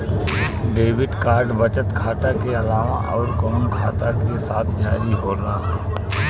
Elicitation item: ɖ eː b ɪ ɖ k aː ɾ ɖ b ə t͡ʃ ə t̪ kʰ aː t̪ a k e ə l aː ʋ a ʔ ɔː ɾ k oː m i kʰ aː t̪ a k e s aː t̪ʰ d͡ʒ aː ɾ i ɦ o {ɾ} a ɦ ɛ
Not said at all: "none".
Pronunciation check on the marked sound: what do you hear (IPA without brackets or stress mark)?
ɾ